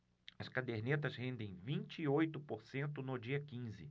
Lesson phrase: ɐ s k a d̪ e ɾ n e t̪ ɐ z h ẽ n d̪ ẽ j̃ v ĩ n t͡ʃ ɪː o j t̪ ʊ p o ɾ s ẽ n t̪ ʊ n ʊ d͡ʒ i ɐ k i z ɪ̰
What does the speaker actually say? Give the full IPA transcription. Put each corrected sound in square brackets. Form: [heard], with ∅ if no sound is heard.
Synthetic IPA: ɐ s k a d̪ e ɾ n e t̪ ɐ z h ẽ n d̪ ẽ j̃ v ĩ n t͡ʃ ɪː o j t̪ ʊ p o ɾ s ẽ n t̪ ʊ n ʊ d͡ʒ i ɐ k [ĩ] z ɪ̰